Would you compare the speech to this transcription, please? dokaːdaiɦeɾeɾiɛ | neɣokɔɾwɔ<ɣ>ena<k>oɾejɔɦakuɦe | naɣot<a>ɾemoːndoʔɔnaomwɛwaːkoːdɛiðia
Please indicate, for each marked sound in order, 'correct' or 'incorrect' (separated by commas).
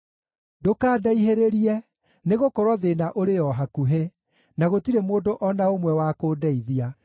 incorrect, incorrect, incorrect